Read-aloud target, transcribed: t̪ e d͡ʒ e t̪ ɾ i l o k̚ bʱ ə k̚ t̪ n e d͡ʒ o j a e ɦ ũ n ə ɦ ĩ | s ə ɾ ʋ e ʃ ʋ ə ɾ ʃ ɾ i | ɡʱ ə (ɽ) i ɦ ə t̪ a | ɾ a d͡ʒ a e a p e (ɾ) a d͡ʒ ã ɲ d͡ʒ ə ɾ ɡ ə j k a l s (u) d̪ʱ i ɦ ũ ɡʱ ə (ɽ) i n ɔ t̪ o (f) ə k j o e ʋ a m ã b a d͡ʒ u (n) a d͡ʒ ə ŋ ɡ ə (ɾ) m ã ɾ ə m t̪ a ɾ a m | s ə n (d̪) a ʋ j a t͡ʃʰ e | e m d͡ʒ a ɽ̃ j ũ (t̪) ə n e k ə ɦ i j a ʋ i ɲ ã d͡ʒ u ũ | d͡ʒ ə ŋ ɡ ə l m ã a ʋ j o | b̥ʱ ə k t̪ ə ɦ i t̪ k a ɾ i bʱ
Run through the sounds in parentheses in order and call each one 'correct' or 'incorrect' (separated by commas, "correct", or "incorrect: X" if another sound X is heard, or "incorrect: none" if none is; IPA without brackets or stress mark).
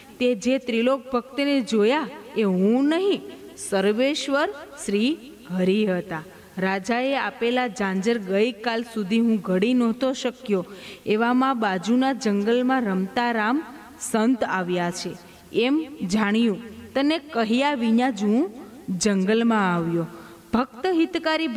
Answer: incorrect: ɾ, incorrect: l, correct, correct, incorrect: ʃ, correct, incorrect: l, incorrect: t̪, correct